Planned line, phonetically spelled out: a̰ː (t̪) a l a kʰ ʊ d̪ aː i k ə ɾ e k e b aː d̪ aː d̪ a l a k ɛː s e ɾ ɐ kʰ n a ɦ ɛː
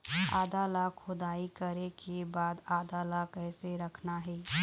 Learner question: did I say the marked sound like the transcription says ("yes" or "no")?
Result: no